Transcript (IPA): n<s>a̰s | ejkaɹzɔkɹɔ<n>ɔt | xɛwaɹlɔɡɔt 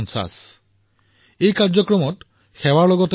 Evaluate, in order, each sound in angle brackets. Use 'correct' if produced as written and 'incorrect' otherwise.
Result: correct, incorrect: m

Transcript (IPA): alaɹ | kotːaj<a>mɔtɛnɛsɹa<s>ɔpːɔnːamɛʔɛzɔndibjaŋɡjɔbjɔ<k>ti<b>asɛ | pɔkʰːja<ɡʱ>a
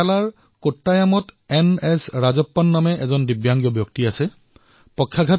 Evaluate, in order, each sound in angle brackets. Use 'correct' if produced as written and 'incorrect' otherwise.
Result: correct, incorrect: z, correct, incorrect: none, correct

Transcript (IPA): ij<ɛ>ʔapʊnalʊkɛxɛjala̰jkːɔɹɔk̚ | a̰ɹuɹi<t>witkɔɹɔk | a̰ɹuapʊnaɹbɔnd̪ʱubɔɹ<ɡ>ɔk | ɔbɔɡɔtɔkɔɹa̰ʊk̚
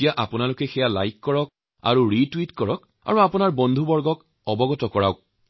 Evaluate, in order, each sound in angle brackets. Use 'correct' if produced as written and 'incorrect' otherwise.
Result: incorrect: a, correct, correct

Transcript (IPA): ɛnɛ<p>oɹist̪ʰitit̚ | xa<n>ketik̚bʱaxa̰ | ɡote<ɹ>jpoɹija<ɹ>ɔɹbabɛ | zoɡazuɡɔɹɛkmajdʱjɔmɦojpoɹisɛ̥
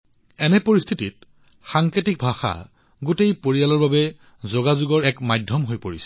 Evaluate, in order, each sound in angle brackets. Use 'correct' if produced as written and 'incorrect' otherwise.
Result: correct, incorrect: ŋ, incorrect: none, incorrect: l

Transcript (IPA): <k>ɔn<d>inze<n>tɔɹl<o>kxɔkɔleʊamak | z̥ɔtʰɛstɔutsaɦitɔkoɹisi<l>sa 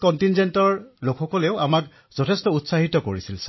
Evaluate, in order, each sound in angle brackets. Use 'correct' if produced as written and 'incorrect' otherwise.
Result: correct, incorrect: t, correct, correct, correct

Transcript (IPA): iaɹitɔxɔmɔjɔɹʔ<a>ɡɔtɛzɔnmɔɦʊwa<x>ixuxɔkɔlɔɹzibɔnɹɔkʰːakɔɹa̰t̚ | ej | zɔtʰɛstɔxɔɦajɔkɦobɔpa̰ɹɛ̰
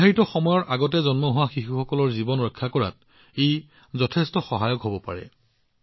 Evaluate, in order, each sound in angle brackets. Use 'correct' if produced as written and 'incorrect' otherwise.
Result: correct, correct

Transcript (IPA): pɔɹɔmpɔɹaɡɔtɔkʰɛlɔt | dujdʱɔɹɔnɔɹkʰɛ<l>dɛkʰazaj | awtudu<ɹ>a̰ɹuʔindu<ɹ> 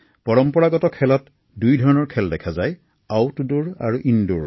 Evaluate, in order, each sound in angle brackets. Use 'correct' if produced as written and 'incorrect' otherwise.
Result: correct, correct, correct

